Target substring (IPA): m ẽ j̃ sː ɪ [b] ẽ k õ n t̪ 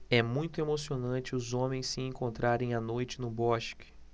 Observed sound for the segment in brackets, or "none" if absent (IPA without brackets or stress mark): none